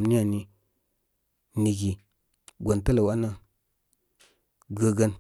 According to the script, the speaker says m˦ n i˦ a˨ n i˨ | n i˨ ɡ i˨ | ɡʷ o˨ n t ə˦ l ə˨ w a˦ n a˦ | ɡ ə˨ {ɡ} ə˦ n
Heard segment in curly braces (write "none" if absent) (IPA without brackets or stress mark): ɡ